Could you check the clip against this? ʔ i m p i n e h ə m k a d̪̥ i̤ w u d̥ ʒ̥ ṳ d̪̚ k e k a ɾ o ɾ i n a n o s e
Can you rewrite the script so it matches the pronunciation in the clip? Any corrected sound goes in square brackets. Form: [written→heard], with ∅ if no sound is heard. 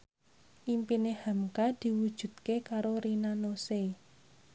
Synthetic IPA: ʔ i m p i n e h [ə→a] m k a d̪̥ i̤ w u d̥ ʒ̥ ṳ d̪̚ k e k a ɾ o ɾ i n a n o s e